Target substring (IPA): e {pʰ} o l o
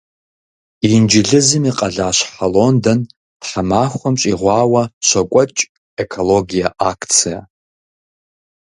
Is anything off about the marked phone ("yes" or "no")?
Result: yes